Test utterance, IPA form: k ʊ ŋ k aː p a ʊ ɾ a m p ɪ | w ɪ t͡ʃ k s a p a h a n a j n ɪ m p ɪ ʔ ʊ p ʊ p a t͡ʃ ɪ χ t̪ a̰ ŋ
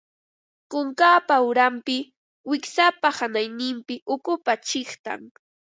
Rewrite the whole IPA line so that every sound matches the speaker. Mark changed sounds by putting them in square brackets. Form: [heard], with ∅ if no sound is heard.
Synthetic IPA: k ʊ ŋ k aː p a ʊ ɾ a m p ɪ | w ɪ [∅] k s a p a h a n a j n ɪ m p ɪ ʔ ʊ [k] ʊ p a t͡ʃ ɪ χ t̪ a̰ ŋ